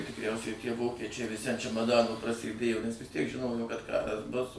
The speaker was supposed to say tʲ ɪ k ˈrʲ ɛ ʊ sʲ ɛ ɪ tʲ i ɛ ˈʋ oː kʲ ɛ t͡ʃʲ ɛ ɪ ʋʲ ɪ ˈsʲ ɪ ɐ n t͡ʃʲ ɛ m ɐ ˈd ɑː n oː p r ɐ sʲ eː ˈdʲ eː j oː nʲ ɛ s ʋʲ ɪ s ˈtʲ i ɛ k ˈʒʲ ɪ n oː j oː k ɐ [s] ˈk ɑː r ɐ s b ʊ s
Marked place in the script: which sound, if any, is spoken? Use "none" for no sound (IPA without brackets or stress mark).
t